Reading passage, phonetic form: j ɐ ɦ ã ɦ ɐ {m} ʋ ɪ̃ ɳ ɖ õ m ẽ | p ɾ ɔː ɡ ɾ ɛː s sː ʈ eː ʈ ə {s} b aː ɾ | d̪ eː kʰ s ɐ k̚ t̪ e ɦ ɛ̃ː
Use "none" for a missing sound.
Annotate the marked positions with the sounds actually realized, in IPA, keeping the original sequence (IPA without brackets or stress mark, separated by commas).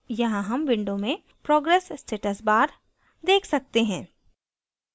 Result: m, s